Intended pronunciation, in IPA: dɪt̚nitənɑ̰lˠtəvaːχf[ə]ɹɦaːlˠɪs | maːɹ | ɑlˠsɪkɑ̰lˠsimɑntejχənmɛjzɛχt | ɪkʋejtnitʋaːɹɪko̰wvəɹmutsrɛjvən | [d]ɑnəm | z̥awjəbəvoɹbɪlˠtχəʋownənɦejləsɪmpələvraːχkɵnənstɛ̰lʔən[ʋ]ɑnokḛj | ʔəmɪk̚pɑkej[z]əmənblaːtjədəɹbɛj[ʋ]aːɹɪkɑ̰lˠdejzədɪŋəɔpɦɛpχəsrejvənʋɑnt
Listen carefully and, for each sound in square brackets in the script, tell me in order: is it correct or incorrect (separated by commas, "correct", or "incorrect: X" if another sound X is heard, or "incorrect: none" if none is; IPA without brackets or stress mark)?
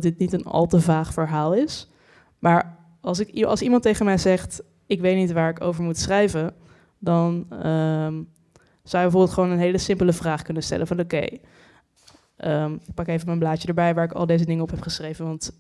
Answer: correct, correct, incorrect: v, incorrect: v, correct